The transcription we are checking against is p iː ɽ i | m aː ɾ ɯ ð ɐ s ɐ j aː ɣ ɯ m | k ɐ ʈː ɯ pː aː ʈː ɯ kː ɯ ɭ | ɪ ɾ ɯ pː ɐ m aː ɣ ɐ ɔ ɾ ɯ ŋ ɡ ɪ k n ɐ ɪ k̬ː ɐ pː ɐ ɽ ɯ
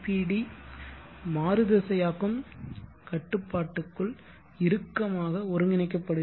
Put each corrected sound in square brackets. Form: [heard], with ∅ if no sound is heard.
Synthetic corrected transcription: p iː ɽ i | m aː ɾ ɯ ð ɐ s ɐ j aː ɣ ɯ m | k ɐ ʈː ɯ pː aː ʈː ɯ kː ɯ ɭ | ɪ ɾ ɯ [kː] ɐ m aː ɣ ɐ ɔ ɾ ɯ ŋ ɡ ɪ [∅] n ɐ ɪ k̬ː ɐ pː ɐ ɽ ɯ

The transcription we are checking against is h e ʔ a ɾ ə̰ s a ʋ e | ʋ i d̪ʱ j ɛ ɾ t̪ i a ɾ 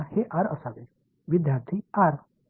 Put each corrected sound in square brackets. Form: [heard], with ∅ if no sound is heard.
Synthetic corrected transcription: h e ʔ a ɾ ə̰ s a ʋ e | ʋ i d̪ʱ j [a] ɾ [t̪ʰ] i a ɾ

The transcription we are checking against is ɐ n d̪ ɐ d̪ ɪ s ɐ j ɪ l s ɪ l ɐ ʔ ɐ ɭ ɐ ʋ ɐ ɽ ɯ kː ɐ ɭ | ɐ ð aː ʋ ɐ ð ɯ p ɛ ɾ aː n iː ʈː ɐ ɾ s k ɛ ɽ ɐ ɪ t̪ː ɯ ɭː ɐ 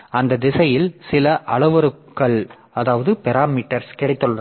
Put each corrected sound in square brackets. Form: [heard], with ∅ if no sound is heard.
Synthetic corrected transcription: ɐ n d̪ ɐ d̪ ɪ s ɐ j ɪ l s ɪ l ɐ ʔ ɐ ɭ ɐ ʋ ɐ [ɾ] ɯ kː ɐ ɭ | ɐ ð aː ʋ ɐ ð ɯ p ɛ ɾ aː [m] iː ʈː ɐ ɾ s k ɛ ɽ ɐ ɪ t̪ː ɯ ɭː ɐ

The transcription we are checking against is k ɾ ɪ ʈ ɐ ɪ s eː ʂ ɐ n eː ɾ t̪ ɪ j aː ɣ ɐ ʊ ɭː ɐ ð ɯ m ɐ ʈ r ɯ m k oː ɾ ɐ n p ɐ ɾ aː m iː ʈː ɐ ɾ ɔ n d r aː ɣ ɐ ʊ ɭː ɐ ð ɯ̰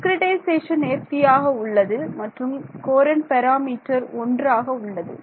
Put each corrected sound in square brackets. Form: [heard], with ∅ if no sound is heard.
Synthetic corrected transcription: k ɾ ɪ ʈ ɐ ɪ s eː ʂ ɐ n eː ɾ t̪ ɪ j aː ɣ ɐ ʊ ɭː ɐ ð ɯ m ɐ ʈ r ɯ m k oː ɾ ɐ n p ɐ ɾ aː m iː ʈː ɐ ɾ ɔ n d r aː ɣ ɐ ʊ ɭː ɐ ð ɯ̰

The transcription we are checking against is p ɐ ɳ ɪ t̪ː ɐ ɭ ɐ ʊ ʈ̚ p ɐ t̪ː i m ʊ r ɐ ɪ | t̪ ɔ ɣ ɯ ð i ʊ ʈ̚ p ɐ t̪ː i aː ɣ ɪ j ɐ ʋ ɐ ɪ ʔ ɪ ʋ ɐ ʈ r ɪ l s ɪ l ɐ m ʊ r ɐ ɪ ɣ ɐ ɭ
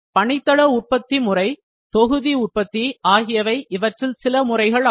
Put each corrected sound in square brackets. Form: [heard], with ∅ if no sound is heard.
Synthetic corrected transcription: p ɐ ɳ ɪ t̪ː ɐ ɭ ɐ ʊ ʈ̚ p ɐ t̪ː i m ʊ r ɐ ɪ | t̪ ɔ ɣ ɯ ð i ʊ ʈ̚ p ɐ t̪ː i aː ɣ ɪ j ɐ ʋ ɐ ɪ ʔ ɪ ʋ ɐ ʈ r ɪ l s ɪ l ɐ m ʊ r ɐ ɪ ɣ ɐ ɭ

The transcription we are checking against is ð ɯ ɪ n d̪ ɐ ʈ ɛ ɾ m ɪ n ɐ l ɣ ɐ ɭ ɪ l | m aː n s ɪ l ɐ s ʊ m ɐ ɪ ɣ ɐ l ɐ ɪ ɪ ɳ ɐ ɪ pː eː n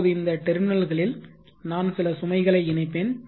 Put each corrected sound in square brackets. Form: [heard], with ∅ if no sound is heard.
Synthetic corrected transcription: ð ɯ ɪ n d̪ ɐ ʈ ɛ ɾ m ɪ n ɐ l ɣ ɐ ɭ ɪ l | [n] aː n s ɪ l ɐ s ʊ m ɐ ɪ ɣ ɐ [ɭ] ɐ ɪ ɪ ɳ ɐ ɪ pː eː n

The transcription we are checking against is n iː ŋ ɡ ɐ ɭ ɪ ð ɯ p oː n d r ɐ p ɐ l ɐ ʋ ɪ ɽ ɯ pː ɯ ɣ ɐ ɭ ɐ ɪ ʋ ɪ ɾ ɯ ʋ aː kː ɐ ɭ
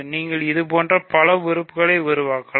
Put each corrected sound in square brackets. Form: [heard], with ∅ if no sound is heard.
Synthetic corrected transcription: n iː ŋ ɡ ɐ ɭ ɪ ð ɯ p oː n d r ɐ p ɐ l ɐ ʋ ɪ [ɾ] ɯ pː ɯ ɣ ɐ ɭ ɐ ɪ ʋ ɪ ɾ ɯ ʋ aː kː ɐ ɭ

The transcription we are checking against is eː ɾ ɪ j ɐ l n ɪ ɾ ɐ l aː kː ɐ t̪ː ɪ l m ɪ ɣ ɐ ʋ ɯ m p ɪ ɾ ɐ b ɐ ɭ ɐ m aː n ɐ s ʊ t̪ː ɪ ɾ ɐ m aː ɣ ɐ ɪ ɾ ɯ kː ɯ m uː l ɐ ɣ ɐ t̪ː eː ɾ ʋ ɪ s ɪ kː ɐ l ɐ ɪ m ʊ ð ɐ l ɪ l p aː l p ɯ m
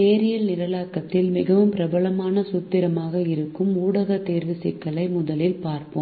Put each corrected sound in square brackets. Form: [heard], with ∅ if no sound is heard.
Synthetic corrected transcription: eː ɾ ɪ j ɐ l n ɪ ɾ ɐ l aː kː ɐ t̪ː ɪ l m ɪ ɣ ɐ ʋ ɯ m p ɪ ɾ ɐ b ɐ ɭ ɐ m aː n ɐ s ʊ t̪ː ɪ ɾ ɐ m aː ɣ ɐ ɪ ɾ ɯ kː ɯ m uː [ɽ] ɐ ɣ ɐ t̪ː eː ɾ ʋ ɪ s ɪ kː ɐ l ɐ ɪ m ʊ ð ɐ l ɪ l p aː [ɾ] p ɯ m

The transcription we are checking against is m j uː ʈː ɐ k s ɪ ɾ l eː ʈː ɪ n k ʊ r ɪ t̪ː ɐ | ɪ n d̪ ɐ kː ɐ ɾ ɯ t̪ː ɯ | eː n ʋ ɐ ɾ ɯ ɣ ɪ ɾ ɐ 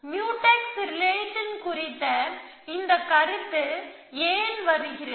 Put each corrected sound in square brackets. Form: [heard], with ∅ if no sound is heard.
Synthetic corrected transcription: m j uː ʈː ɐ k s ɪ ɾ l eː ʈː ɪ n k ʊ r ɪ t̪ː ɐ | ɪ n d̪ ɐ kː ɐ ɾ ɯ t̪ː ɯ | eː n ʋ ɐ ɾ ɯ ɣ ɪ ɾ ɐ

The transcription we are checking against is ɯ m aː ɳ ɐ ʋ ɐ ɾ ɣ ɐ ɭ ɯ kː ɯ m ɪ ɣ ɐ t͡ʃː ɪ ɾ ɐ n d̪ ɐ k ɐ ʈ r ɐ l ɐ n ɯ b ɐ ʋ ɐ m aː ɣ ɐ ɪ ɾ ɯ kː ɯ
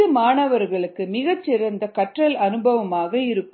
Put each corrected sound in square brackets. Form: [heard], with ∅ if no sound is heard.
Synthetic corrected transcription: ɯ m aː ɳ ɐ ʋ ɐ ɾ ɣ ɐ ɭ ɯ kː ɯ m ɪ ɣ ɐ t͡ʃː ɪ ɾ ɐ n d̪ ɐ k ɐ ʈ r ɐ l ɐ n ɯ b ɐ ʋ ɐ m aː ɣ ɐ ɪ ɾ ɯ kː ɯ

